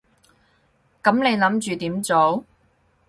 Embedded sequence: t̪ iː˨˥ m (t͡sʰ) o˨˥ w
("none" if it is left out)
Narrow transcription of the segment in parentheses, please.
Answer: t͡s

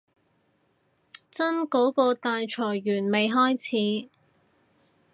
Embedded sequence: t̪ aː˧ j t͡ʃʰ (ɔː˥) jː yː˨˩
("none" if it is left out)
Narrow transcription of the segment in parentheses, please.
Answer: ɔː˨˩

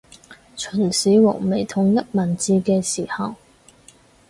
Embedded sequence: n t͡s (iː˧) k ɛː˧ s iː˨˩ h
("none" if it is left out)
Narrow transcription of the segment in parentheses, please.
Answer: iː˧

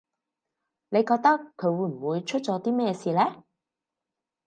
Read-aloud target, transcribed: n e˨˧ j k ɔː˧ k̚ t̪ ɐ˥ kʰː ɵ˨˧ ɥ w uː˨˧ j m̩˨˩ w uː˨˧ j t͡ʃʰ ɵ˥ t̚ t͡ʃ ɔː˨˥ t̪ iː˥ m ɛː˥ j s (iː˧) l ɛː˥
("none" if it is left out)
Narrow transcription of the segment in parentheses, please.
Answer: iː˧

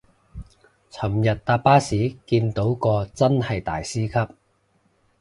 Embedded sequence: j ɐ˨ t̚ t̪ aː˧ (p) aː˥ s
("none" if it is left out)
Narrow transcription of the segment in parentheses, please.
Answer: p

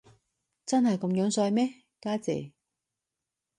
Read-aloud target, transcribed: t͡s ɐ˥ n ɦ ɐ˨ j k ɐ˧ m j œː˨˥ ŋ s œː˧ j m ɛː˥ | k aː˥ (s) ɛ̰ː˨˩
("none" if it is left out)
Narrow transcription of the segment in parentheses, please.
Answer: t͡s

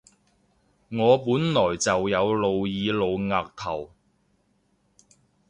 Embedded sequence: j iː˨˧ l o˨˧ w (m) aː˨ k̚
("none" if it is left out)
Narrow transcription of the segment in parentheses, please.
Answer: ŋ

